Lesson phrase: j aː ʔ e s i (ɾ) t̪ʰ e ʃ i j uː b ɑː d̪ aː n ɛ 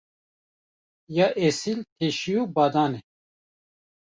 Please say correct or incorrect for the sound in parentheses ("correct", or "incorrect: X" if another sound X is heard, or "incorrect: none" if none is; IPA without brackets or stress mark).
incorrect: l